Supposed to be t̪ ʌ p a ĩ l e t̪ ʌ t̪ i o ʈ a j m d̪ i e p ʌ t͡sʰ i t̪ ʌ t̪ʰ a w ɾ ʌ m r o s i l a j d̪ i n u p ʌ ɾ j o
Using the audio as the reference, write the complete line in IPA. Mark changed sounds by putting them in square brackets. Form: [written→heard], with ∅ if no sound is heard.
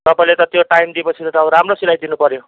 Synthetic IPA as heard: t̪ ʌ p a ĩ l e t̪ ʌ t̪ [i→j] o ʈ a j m d̪ i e p ʌ t͡sʰ i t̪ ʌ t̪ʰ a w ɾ [ʌ→a] m r o s i l a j d̪ i n u p ʌ ɾ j o